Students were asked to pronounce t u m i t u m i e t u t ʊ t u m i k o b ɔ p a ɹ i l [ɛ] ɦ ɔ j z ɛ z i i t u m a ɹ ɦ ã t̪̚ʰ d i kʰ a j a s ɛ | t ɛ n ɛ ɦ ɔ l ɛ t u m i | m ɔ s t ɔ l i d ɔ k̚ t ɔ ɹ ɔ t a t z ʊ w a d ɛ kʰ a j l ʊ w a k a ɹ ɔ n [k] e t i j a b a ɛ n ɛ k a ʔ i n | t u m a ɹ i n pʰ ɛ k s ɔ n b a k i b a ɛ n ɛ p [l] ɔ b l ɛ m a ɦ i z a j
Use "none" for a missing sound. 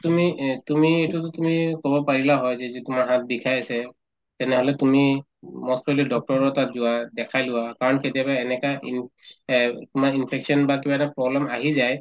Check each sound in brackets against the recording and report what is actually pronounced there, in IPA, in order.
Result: a, k, ɹ

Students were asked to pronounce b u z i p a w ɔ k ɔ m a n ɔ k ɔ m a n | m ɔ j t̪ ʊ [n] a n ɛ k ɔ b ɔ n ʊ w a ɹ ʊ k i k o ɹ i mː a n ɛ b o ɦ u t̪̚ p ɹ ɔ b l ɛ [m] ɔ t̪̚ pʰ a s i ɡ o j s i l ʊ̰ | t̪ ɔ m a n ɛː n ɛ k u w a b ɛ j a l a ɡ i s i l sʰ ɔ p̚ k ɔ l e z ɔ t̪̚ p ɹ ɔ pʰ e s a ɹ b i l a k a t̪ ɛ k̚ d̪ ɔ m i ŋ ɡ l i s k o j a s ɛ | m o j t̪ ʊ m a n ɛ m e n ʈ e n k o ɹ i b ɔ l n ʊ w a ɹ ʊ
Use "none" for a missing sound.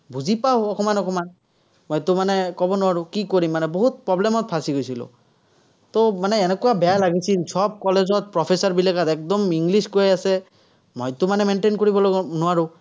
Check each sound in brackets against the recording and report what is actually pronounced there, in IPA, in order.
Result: m, m

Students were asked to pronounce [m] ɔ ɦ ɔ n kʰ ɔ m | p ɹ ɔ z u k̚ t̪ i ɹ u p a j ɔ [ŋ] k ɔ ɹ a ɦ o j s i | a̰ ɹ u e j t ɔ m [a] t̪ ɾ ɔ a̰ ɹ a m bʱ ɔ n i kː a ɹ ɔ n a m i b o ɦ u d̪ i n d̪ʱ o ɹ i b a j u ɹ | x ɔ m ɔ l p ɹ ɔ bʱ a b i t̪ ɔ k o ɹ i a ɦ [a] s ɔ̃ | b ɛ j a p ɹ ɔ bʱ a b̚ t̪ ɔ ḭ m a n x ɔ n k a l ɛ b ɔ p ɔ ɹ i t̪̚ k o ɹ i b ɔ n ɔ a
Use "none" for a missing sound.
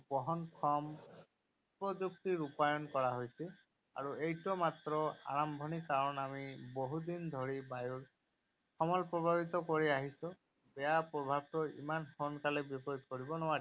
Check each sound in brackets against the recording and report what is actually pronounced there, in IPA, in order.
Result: b, n, a, i

